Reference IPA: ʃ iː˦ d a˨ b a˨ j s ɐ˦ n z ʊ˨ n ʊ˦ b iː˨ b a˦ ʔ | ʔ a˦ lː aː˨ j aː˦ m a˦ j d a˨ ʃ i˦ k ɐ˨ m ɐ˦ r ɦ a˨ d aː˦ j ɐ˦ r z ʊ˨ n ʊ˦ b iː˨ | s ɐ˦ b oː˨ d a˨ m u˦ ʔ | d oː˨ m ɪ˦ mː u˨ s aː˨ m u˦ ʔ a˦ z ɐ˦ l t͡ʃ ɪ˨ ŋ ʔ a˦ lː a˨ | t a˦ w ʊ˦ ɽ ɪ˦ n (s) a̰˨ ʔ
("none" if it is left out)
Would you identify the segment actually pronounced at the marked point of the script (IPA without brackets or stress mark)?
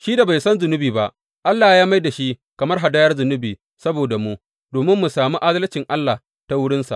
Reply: s